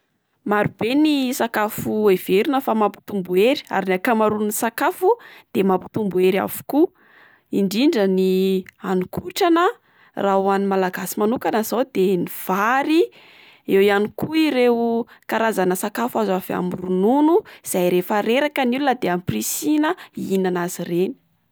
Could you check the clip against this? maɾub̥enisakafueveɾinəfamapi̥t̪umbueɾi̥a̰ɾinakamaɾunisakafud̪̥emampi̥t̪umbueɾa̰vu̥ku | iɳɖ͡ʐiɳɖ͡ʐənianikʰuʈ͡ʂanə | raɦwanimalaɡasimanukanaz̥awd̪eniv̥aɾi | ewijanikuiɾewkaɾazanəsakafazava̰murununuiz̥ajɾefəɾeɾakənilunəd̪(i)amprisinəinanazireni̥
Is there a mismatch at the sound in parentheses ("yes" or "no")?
yes